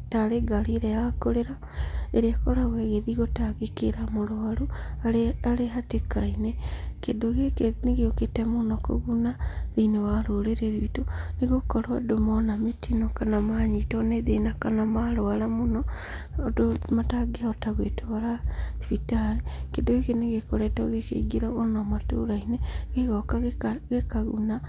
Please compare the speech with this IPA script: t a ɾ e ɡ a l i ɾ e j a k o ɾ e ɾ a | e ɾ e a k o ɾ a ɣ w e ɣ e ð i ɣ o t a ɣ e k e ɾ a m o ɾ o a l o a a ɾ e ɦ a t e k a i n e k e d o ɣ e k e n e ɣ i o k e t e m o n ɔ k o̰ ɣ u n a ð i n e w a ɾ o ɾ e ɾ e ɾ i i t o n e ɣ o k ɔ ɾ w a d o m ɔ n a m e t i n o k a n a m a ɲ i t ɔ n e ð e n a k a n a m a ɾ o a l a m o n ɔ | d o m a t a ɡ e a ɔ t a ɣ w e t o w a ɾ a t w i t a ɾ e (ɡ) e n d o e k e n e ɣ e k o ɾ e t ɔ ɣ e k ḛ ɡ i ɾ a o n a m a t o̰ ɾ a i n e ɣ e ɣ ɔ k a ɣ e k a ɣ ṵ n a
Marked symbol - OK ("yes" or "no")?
no